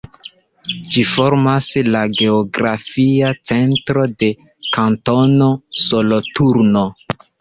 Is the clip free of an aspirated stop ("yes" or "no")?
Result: yes